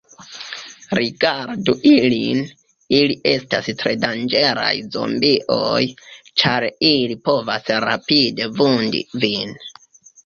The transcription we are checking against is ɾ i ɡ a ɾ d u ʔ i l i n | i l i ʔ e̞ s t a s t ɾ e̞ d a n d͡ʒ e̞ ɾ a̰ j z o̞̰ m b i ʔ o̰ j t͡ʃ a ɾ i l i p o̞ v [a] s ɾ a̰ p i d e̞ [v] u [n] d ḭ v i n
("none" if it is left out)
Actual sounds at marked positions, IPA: a, v, n

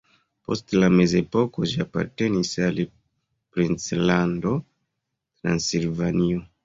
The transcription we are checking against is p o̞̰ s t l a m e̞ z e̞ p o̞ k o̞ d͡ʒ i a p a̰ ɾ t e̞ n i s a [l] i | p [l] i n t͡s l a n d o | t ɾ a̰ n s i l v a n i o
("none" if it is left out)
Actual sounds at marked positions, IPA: l, ɾ

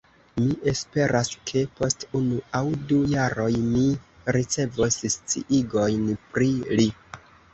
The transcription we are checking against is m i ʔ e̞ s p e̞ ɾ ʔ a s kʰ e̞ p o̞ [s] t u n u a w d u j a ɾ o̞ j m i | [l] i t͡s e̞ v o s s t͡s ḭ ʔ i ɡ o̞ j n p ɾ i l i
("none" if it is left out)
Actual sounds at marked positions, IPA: s, ɾ

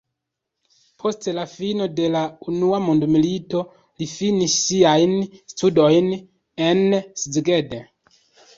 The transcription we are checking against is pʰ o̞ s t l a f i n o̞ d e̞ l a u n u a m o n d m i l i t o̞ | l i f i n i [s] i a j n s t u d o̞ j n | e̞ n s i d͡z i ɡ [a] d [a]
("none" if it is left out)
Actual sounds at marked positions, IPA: sː, e, e

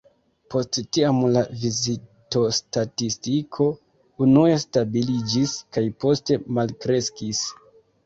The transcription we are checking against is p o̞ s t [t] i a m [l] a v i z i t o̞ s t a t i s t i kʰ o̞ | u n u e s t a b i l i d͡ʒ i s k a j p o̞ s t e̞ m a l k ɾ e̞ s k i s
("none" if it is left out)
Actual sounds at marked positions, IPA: t, l

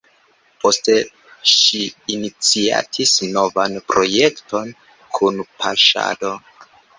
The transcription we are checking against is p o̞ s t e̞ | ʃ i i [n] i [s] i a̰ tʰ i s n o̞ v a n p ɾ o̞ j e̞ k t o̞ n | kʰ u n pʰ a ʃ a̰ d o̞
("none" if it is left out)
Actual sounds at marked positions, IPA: n, t͡s

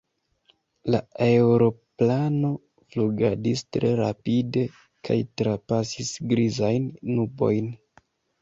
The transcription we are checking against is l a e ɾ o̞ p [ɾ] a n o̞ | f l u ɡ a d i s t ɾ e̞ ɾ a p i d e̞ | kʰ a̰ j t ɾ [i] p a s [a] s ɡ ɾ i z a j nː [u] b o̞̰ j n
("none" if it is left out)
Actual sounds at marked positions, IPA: l, a, i, u

